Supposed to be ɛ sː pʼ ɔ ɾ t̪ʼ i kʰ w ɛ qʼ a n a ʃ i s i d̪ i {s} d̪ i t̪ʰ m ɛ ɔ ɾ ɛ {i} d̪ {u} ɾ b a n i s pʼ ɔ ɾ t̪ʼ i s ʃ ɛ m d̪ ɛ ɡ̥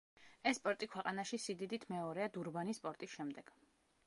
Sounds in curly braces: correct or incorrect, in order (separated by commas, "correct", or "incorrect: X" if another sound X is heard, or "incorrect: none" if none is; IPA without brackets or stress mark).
incorrect: none, incorrect: a, correct